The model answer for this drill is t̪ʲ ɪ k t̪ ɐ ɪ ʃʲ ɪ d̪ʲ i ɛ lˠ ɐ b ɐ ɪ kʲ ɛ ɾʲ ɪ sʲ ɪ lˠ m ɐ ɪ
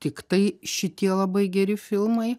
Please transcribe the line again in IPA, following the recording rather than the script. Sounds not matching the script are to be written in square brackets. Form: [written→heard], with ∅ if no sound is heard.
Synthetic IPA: t̪ʲ ɪ k t̪ ɐ ɪ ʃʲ ɪ [d̪ʲ→t̪ʲ] i ɛ lˠ ɐ b ɐ ɪ [kʲ→ɡʲ] ɛ ɾʲ ɪ [sʲ→fʲ] ɪ lˠ m ɐ ɪ